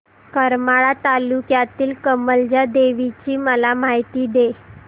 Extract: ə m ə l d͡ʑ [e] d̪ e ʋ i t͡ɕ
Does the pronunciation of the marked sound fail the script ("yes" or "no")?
yes